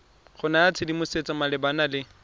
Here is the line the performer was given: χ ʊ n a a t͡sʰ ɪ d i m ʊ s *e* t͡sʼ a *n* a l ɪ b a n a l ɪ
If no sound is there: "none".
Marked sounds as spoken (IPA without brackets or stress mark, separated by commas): e, m